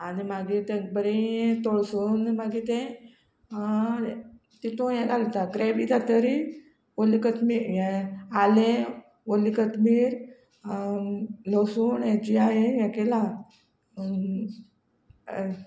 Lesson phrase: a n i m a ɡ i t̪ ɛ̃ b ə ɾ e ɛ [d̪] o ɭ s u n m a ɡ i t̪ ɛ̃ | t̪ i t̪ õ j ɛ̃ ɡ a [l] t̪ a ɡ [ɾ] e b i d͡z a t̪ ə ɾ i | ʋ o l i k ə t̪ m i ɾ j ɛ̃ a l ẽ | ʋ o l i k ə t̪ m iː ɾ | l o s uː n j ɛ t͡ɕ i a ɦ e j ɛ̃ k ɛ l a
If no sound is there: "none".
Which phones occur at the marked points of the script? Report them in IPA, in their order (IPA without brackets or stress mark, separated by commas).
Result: t̪, l, ɾ